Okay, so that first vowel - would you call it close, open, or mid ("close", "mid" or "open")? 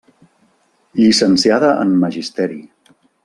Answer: close